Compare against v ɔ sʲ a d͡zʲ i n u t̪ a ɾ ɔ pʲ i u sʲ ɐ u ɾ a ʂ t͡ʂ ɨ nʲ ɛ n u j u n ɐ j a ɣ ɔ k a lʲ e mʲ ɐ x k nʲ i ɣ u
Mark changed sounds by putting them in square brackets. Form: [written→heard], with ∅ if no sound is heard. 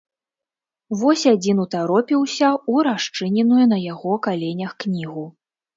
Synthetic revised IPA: v ɔ sʲ a d͡zʲ i n u t̪ a ɾ ɔ pʲ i [u→w] sʲ ɐ u ɾ a ʂ t͡ʂ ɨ nʲ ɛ n u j u n ɐ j a ɣ ɔ k a lʲ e [mʲ→nʲ] ɐ x k nʲ i ɣ u